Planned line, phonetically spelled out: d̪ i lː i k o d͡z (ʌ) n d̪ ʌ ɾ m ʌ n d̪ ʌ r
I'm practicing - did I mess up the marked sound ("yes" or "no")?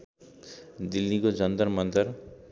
no